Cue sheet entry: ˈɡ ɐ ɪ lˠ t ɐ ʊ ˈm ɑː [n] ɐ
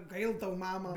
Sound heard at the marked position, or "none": m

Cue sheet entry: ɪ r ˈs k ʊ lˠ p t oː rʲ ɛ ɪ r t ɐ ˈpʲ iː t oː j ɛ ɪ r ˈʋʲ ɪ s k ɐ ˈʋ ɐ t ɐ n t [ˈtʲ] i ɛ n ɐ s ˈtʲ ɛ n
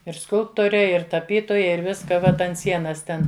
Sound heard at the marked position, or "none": sʲ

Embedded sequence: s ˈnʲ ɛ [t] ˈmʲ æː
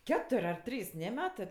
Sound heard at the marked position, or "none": none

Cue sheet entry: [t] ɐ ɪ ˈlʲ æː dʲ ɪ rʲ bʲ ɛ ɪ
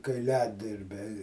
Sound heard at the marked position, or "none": k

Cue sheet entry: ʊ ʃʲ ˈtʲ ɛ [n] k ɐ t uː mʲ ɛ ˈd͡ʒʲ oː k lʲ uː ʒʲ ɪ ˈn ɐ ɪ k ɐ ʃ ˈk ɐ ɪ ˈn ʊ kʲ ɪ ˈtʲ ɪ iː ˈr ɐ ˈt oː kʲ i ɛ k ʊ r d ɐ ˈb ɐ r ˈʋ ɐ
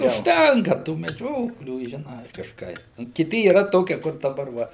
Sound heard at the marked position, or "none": ŋ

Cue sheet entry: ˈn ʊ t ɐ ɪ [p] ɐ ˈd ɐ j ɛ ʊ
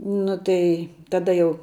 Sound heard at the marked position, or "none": t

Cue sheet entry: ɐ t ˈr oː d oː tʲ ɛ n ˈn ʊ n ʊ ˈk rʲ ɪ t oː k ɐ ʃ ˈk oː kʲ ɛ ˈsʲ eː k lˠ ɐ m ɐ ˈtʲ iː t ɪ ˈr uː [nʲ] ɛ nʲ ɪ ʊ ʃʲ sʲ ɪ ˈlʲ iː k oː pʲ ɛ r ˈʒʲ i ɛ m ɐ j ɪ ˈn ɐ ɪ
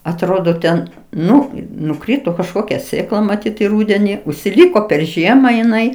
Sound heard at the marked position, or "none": dʲ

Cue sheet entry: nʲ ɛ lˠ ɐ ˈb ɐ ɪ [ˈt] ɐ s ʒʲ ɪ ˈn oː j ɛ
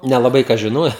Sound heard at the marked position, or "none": k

